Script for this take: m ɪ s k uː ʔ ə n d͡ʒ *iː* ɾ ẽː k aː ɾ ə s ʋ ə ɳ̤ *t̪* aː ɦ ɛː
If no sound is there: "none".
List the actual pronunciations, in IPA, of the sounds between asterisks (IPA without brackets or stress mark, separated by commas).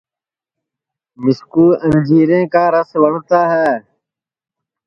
iː, t̪